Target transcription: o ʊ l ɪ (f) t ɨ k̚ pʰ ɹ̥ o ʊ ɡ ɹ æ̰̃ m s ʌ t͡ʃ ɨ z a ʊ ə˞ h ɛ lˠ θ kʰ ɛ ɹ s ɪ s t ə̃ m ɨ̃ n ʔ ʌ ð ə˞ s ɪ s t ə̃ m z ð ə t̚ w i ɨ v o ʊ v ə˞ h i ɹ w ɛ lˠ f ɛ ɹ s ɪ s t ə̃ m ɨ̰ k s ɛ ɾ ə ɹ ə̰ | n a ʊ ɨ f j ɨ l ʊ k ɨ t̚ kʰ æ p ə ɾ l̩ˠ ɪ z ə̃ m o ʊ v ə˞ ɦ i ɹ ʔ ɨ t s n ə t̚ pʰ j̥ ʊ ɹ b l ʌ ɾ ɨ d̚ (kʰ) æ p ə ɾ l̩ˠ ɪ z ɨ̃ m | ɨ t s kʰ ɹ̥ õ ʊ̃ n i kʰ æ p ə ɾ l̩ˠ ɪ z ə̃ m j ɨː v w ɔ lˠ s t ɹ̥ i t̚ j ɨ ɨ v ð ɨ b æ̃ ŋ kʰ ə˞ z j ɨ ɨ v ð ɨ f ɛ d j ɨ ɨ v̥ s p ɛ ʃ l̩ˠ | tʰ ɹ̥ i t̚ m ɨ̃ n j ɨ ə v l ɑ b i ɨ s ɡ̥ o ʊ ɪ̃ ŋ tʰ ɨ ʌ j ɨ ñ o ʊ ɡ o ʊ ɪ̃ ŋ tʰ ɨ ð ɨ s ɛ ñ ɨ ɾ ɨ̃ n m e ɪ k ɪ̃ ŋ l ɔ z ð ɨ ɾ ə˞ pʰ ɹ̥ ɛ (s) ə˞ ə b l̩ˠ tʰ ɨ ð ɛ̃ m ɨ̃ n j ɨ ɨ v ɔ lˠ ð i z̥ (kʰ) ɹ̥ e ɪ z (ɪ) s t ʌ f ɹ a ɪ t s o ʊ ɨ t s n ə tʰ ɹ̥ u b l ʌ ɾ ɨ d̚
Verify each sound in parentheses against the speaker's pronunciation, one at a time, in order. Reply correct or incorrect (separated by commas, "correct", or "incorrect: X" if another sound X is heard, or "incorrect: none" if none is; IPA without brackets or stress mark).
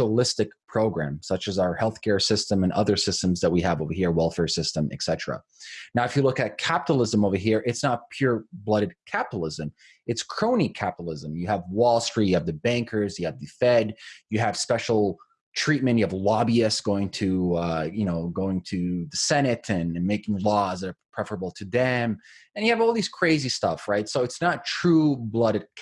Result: incorrect: s, correct, incorrect: f, correct, incorrect: i